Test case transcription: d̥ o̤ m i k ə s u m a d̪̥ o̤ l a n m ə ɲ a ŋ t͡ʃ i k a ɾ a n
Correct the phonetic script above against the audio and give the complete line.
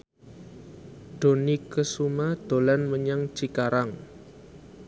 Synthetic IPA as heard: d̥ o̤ n i k ə s u m a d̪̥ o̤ l a n m ə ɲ a ŋ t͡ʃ i k a ɾ a ŋ